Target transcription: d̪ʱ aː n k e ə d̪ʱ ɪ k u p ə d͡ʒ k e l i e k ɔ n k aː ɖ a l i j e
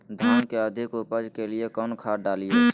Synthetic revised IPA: d̪ʱ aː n k e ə d̪ʱ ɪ k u p ə d͡ʒ k e l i e k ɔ n kʰ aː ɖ a l i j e